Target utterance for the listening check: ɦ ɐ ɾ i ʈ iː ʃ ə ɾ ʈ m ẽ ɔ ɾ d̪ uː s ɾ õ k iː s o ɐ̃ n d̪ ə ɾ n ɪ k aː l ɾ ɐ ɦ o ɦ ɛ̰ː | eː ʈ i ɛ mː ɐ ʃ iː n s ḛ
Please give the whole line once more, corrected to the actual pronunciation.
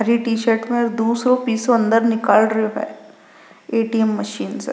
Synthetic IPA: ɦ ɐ ɾ i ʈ iː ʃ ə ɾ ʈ m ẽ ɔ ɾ d̪ uː s ɾ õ p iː s o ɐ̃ n d̪ ə ɾ n ɪ k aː l ɾ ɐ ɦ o ɦ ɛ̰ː | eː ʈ i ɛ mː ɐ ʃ iː n s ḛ